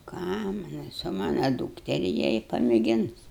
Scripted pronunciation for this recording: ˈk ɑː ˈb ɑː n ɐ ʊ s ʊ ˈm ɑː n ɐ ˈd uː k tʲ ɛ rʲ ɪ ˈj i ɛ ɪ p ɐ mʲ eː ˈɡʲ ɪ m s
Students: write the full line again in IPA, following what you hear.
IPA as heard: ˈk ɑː ˈm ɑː n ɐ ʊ s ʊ ˈm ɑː n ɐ ˈd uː k tʲ ɛ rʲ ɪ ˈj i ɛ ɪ p ɐ mʲ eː ˈɡʲ ɪ n s